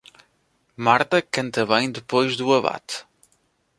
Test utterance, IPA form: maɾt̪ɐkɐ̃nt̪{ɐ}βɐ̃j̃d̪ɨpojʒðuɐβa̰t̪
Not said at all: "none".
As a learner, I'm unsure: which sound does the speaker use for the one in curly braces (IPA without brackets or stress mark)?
ɐ